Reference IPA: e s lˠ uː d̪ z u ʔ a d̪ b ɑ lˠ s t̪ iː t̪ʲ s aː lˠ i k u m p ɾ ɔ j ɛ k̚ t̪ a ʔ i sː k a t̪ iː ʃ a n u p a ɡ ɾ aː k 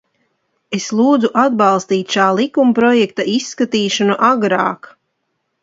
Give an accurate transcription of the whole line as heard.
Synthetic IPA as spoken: e s lˠ uː d̪ z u ʔ a d̪ b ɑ lˠ s t̪ iː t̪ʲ ʃ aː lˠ i k u m p ɾ ɔ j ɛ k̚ t̪ a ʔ i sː k a t̪ iː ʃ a n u ʔ a ɡ ɾ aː k